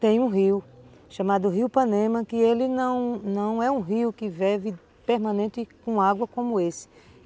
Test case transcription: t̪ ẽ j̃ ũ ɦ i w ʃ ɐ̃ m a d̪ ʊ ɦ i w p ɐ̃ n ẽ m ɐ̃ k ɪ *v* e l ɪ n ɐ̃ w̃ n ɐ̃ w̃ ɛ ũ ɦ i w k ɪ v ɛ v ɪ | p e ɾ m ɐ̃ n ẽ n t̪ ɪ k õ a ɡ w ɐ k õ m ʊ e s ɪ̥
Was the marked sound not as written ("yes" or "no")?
yes